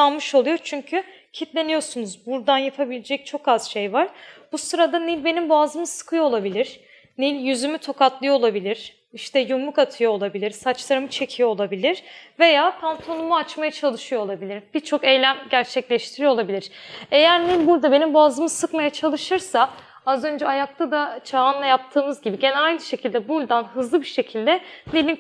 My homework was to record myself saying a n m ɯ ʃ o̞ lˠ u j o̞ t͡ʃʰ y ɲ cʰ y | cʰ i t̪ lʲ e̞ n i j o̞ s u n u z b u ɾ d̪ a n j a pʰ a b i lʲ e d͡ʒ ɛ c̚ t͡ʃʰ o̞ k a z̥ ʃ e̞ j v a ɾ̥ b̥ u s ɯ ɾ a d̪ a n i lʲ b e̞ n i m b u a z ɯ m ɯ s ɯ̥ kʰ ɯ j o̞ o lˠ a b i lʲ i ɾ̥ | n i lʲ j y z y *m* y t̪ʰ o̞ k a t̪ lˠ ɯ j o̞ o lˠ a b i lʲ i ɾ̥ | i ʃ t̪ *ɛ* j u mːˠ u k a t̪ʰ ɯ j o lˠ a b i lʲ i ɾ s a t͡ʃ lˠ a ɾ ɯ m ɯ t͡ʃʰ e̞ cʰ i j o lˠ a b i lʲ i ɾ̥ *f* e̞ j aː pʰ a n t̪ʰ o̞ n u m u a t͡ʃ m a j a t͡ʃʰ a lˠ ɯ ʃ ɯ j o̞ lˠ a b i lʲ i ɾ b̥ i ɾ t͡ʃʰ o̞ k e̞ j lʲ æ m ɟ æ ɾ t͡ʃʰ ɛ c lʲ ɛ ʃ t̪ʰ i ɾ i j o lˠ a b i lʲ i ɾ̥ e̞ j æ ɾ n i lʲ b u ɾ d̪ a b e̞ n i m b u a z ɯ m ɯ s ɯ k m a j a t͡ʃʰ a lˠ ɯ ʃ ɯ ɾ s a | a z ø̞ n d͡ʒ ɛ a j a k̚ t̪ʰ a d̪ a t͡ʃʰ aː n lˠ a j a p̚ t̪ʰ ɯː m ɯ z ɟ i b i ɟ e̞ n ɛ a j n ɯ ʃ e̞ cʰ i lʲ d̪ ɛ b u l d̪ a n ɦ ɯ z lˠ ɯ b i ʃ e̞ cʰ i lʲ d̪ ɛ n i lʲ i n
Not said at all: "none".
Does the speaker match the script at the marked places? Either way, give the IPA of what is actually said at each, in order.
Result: m, ɛ, v

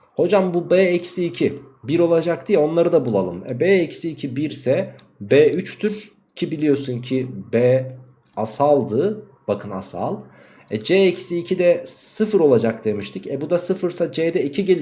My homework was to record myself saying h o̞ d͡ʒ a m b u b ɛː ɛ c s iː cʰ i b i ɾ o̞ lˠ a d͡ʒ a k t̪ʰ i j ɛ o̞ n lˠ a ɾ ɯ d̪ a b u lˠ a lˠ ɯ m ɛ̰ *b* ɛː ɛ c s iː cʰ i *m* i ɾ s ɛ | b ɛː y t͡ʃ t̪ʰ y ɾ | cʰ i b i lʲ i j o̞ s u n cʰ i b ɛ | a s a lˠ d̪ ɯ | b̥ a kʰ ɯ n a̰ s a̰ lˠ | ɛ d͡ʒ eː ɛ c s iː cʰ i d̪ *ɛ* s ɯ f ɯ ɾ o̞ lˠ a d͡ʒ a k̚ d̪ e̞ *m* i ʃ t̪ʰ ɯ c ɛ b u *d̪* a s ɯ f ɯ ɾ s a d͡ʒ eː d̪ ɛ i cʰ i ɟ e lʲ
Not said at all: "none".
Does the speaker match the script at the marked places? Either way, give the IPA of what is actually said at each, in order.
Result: b, b, ɛ, m, d̪

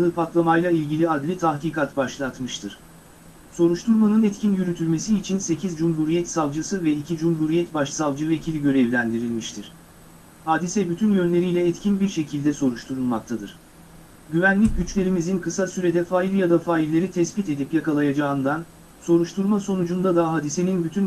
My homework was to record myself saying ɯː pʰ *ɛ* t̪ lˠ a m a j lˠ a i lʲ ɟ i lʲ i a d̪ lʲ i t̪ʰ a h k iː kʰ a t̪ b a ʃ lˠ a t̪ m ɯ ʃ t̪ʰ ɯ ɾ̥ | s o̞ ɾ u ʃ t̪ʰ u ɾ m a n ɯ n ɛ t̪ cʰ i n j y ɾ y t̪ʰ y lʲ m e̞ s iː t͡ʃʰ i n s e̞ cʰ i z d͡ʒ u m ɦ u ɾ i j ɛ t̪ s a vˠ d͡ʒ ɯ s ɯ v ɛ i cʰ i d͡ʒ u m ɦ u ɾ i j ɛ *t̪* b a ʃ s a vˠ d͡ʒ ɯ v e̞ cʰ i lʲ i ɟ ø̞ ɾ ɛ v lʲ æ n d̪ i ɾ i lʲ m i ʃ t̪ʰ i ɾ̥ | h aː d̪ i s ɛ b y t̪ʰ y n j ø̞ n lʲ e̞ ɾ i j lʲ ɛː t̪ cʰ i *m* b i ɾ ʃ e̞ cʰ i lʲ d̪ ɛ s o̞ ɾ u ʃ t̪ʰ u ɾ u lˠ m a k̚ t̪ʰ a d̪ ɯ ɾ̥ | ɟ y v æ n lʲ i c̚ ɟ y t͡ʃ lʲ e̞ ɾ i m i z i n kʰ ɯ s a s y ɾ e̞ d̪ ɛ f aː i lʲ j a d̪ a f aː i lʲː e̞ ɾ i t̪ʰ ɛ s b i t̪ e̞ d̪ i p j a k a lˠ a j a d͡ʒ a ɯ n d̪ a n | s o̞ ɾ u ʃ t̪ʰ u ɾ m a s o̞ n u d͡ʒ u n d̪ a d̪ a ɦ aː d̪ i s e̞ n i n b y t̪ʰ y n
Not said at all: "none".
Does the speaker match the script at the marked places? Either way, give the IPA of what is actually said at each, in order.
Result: a, t̪, n

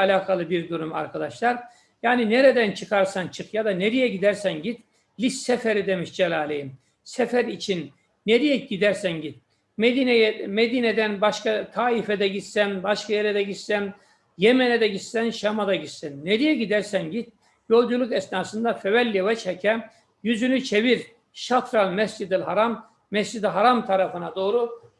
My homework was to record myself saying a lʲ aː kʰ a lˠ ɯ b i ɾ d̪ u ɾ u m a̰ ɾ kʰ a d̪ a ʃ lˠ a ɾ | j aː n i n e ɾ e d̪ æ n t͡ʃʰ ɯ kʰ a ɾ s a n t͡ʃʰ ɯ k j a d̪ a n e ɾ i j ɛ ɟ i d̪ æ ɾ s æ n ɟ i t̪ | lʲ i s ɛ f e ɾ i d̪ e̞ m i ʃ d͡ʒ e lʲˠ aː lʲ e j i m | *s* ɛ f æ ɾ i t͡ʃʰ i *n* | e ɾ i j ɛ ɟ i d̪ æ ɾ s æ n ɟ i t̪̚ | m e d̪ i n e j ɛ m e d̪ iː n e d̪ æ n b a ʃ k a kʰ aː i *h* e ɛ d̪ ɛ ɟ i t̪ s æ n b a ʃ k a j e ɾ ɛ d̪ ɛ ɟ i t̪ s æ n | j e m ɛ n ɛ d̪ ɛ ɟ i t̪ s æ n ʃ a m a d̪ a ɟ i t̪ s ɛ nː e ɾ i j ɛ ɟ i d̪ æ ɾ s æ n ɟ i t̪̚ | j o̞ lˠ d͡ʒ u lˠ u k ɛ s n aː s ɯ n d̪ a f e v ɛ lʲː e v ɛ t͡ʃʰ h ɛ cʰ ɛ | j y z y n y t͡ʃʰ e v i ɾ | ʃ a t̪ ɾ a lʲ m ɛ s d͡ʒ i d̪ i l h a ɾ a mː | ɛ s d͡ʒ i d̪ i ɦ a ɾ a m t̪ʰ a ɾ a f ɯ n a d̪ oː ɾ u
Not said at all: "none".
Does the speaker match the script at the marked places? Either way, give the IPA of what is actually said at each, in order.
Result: s, nː, f

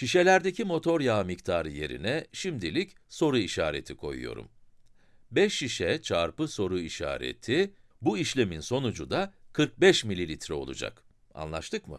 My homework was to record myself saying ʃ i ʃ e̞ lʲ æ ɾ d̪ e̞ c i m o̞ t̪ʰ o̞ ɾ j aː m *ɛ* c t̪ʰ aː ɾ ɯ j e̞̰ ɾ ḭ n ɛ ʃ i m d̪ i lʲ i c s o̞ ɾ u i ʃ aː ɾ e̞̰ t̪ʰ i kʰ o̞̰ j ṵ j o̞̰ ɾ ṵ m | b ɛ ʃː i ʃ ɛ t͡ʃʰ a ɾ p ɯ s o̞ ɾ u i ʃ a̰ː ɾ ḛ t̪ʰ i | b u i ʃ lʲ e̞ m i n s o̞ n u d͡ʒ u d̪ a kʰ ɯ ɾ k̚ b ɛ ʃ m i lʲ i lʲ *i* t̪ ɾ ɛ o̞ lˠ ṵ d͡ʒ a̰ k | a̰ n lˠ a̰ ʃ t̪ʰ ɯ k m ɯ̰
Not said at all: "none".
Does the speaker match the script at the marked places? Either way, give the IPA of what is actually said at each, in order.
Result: i, i

